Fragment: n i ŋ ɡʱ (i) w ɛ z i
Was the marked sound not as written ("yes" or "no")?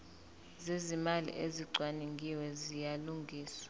no